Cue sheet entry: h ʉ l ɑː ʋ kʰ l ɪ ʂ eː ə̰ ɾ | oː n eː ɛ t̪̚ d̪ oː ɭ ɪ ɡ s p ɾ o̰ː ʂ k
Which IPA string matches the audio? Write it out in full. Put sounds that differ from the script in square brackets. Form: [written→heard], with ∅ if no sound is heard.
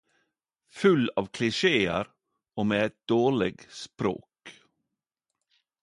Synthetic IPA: [h→f] ʉ l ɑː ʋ kʰ l ɪ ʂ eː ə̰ ɾ | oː [n→m] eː ɛ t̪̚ d̪ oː ɭ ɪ ɡ s p ɾ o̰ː [ʂ→∅] k